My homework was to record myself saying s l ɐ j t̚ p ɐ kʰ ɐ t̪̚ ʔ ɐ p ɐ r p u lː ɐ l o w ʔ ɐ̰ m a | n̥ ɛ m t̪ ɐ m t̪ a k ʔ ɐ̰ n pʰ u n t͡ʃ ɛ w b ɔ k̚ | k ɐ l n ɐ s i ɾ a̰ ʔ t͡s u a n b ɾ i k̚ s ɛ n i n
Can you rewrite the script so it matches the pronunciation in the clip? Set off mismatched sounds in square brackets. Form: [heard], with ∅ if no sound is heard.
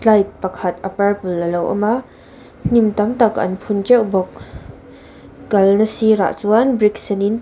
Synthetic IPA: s l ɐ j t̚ p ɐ kʰ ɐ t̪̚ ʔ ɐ p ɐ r p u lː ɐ l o w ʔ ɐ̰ m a | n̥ [i] m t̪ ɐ m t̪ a k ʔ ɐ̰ n pʰ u n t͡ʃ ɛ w b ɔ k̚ | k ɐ l n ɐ s i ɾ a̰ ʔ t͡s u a n b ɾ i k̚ s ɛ n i n